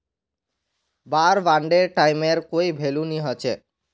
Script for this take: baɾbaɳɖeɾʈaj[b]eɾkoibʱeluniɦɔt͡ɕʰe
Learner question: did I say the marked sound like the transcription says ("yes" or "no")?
no